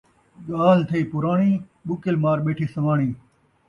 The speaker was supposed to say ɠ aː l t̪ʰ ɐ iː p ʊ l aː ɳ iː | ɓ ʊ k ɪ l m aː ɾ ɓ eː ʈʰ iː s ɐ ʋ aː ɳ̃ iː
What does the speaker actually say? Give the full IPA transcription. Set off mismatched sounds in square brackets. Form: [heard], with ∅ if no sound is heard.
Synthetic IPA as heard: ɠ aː l t̪ʰ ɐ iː p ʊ [ɾ] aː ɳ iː | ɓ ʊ k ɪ l m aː ɾ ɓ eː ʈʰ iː s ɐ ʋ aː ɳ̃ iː